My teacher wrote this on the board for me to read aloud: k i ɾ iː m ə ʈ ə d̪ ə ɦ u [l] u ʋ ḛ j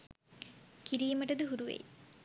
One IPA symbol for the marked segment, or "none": ɾ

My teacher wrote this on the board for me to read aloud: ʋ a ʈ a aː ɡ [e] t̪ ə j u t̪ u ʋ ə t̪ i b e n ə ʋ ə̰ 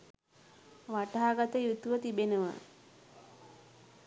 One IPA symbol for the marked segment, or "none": a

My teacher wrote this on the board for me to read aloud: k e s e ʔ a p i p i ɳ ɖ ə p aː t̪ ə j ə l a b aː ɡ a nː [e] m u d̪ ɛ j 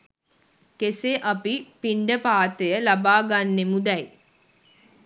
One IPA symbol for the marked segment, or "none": e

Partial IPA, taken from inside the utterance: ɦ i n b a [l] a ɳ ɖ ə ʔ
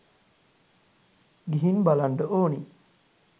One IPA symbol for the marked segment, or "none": l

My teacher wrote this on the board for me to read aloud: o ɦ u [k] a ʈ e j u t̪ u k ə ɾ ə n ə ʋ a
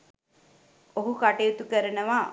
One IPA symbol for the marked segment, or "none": k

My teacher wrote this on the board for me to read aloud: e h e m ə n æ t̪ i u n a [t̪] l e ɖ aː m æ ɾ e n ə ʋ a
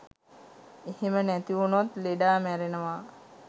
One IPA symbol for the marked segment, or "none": t̪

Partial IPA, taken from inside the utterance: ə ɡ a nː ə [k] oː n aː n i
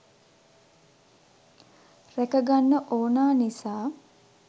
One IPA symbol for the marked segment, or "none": ʔ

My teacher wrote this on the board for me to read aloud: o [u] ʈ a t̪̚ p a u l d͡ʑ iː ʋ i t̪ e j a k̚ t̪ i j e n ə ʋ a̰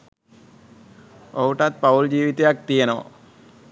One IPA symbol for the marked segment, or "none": u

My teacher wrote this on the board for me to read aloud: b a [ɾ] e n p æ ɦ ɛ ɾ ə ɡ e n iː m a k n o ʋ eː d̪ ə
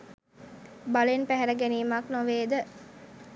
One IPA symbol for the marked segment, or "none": l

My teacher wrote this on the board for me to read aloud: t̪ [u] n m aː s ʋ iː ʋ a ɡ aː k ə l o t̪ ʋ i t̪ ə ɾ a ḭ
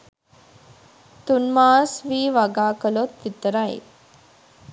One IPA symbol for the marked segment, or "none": u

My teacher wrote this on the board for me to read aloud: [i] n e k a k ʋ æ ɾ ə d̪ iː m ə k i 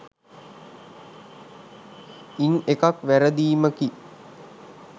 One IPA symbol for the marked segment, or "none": i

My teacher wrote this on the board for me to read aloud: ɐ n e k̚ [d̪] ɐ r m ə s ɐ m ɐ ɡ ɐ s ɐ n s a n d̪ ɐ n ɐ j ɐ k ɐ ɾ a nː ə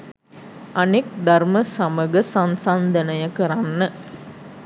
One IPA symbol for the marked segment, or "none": d̪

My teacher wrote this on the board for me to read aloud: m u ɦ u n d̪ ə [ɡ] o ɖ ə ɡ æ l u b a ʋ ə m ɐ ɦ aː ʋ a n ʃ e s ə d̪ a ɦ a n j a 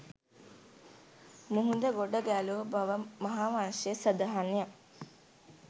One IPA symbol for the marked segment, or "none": ɡ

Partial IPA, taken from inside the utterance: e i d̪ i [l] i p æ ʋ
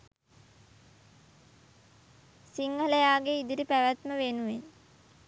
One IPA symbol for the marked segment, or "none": ɾ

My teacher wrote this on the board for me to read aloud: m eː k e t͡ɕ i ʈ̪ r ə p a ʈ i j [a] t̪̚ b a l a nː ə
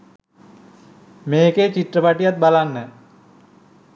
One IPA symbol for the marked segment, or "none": a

